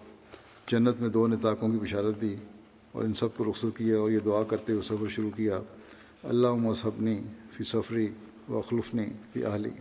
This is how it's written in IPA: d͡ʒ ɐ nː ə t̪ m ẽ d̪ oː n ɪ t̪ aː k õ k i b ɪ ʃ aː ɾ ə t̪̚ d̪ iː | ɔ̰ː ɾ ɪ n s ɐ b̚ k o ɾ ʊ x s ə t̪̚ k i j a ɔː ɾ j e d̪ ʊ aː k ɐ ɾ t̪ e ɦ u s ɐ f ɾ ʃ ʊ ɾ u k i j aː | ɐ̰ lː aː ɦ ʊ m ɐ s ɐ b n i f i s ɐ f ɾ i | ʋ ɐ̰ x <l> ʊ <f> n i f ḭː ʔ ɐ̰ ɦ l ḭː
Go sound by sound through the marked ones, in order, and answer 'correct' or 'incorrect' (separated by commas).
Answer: correct, correct